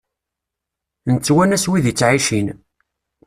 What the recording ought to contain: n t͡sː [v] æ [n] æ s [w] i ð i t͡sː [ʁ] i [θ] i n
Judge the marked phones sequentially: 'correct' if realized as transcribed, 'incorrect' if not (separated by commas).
incorrect, correct, correct, incorrect, incorrect